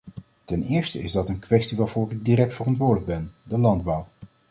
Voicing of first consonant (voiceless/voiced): voiceless